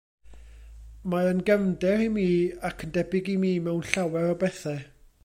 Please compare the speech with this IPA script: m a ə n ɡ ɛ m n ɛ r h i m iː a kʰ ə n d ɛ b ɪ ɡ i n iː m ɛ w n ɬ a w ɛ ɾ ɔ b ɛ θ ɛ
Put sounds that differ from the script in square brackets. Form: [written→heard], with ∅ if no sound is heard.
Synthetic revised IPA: m a ə n ɡ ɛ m [n→d] ɛ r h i m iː a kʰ ə n d ɛ b ɪ ɡ i [n→m] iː m ɛ w n ɬ a w ɛ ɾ ɔ b ɛ θ ɛ